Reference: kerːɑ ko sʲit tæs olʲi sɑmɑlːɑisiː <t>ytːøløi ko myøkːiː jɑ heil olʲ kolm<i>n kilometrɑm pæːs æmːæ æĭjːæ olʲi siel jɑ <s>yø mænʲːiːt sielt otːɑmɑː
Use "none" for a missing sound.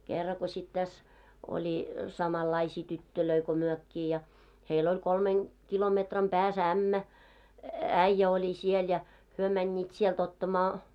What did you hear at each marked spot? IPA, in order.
t, e, h

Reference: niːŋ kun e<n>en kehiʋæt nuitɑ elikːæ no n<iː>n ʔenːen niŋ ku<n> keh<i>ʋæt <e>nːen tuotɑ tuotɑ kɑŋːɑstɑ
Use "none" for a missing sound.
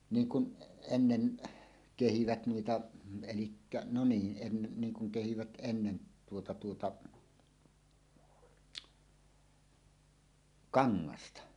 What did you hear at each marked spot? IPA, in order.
nː, iː, ŋ, i, e

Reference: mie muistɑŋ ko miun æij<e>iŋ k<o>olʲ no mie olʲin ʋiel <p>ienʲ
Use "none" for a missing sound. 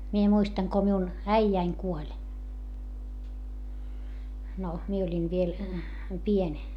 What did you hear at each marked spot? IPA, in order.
æ, u, p

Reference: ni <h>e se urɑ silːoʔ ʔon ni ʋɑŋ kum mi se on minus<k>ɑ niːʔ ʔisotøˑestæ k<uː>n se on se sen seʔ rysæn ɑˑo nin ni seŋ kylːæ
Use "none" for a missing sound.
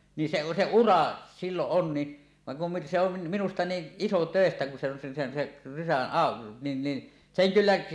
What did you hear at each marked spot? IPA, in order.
s, t, u

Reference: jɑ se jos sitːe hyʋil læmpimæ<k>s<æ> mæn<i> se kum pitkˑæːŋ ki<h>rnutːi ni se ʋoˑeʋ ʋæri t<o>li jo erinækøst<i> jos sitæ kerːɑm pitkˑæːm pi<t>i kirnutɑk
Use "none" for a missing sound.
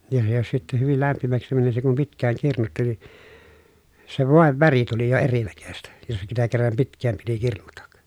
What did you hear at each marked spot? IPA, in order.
k, i, i, none, u, æ, t

